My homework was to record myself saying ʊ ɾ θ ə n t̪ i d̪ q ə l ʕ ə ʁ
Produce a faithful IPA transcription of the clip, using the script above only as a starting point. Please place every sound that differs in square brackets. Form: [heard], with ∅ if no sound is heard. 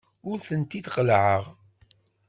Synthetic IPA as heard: ʊ ɾ θ ə n t̪ i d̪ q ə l ʕ ə ʁ

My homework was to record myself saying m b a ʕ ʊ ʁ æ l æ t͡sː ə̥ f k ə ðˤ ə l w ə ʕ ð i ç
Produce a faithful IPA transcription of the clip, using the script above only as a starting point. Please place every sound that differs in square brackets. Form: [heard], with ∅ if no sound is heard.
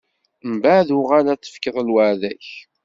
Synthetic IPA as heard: m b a [ð] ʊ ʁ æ l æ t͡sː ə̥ f k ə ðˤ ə l w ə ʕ ð [æ] ç

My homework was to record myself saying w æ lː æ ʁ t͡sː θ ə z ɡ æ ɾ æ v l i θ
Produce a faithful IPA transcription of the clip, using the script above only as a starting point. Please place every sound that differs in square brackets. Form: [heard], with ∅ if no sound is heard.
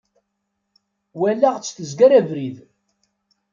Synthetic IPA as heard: w æ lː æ ʁ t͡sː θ ə z ɡ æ ɾ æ v [ɾ] i [ð]

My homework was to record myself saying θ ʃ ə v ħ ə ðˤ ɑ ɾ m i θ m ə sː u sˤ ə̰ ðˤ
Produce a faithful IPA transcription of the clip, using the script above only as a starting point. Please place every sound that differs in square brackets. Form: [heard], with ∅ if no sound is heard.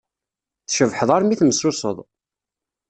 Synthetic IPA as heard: θ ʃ ə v ħ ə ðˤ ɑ ɾ m i θ m ə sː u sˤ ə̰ ðˤ

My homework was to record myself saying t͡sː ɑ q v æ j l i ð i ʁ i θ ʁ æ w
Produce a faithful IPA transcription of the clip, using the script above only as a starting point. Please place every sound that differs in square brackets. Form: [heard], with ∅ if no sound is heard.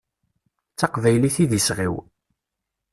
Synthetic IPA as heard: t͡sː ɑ q v æ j l i [θ] i [ð] i [s] ʁ [i] w

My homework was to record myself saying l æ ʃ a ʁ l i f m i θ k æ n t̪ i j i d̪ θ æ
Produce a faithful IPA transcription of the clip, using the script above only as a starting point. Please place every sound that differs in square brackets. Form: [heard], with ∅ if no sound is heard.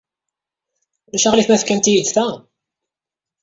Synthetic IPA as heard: l æ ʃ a ʁ l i [θ] m [æ] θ k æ n t̪ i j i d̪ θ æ

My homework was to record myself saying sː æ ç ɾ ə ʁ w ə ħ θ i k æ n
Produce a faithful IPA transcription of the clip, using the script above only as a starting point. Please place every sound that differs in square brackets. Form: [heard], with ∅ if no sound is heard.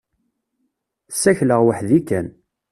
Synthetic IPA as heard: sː æ ç [l] ə ʁ w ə ħ [ð] i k æ n

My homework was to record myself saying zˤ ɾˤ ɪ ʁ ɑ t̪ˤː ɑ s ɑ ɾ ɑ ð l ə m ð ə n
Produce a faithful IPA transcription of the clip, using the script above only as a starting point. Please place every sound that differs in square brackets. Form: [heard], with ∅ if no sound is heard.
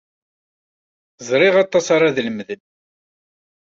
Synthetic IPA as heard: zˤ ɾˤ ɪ ʁ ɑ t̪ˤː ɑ s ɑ ɾ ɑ ð l ə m ð ə n

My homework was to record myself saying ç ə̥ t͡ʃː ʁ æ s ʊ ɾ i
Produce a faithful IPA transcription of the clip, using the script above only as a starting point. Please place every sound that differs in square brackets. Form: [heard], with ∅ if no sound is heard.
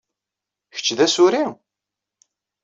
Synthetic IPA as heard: ç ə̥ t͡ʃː [ð] æ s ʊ ɾ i

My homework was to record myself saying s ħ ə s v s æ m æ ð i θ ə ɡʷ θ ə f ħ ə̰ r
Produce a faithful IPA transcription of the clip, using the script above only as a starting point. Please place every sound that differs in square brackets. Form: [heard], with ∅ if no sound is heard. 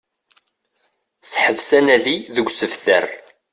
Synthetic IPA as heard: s ħ ə [∅] v s æ [n] æ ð i [ð] ə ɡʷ [s] ə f [θ] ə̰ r

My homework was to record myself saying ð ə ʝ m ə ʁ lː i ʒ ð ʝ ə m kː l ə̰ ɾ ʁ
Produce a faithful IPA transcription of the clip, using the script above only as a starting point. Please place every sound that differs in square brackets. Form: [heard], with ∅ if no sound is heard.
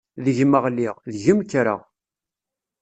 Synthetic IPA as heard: ð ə ʝ m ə ʁ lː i [ʁ] ð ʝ ə m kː [ɾ] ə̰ [∅] ʁ

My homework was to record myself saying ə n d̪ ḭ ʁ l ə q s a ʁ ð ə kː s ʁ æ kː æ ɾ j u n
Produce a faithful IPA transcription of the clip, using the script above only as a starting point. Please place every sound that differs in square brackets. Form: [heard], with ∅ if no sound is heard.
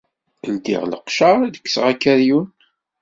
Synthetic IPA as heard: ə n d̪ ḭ ʁ l ə q [ʃ] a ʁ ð ə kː s ʁ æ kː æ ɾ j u n

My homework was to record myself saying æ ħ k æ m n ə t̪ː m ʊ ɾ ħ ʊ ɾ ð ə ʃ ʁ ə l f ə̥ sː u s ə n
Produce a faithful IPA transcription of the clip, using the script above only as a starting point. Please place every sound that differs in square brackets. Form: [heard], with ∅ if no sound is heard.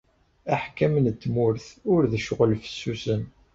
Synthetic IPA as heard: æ ħ k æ m n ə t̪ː m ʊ ɾ [θ] ʊ ɾ ð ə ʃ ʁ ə l f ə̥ sː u s ə n

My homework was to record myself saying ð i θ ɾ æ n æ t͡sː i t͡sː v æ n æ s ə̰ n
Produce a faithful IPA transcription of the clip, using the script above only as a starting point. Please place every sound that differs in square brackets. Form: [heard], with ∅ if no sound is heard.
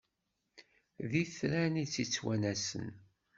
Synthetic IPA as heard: ð i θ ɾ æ n [i] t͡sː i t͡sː [w] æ n æ s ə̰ n

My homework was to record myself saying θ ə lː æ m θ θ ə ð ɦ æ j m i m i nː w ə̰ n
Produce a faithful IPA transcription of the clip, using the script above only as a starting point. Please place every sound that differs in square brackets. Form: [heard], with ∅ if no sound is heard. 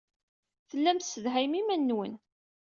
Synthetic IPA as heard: θ ə lː æ m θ [s] ə ð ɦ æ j m i m [æ] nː w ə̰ n

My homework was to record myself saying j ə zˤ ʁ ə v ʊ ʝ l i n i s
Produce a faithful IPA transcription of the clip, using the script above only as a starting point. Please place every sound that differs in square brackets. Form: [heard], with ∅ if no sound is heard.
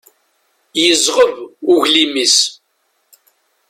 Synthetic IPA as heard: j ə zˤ ʁ ə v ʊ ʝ l i [m] i s

